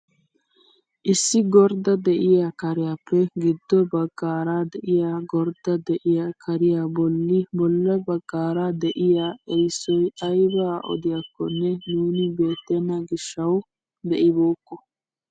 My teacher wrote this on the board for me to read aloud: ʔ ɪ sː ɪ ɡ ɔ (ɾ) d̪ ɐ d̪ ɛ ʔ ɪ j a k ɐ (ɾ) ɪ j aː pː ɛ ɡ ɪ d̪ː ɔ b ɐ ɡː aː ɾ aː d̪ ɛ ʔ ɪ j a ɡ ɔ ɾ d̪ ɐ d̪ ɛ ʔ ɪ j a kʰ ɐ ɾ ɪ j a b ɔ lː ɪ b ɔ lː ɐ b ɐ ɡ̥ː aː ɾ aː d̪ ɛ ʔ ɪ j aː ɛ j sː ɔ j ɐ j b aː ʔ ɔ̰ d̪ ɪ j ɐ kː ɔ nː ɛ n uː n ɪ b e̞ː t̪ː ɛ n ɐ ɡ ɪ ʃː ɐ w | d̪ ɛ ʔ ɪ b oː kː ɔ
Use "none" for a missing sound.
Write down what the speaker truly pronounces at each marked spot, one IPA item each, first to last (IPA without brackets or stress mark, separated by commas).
ɾ, ɾ